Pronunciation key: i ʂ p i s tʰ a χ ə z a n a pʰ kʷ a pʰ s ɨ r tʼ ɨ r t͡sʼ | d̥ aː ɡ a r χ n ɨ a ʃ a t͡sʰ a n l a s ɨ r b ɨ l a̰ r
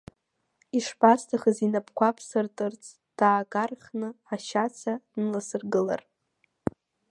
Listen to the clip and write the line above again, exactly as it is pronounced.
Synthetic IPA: i ʂ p a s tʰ a χ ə z i n a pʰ kʷ a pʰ s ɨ r tʼ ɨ r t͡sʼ | d̥ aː ɡ a r χ n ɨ a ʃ a t͡sʰ a n l a s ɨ r ɡ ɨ l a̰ r